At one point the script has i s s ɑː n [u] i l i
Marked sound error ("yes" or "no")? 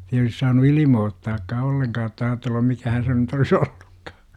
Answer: no